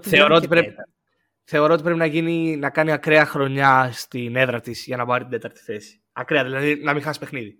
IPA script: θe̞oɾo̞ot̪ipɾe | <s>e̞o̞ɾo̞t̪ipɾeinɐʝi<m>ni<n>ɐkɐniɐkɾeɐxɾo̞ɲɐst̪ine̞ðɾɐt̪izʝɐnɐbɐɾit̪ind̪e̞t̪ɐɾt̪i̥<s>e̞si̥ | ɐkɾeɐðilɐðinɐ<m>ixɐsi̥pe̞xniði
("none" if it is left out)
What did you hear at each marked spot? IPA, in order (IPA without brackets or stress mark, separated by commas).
θ, none, n, θ, m